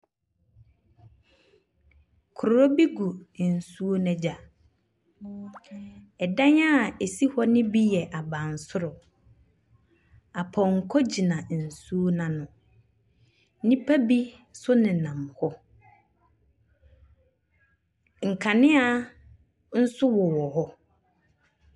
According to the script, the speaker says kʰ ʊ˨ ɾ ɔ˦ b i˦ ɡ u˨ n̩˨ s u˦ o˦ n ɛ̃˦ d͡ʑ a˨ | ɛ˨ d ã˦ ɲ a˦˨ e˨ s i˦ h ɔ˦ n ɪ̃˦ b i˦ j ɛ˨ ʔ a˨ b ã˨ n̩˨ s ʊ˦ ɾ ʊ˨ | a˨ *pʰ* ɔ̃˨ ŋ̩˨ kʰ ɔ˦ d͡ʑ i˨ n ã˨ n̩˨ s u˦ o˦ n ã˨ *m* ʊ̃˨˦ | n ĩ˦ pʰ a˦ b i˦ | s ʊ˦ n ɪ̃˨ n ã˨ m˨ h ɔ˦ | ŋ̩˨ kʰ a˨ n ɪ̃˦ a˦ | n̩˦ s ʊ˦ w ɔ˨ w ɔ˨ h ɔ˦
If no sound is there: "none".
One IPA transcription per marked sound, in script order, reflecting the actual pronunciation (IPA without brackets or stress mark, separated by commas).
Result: pʰ, n